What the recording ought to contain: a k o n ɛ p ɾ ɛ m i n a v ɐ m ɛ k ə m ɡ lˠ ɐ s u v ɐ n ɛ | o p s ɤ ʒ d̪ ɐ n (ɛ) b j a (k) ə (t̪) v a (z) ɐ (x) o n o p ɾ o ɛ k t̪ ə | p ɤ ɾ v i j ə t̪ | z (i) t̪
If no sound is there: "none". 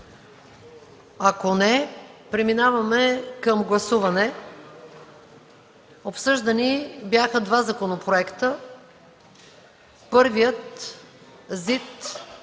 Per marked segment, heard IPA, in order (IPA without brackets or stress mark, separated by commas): i, x, d̪, z, k, i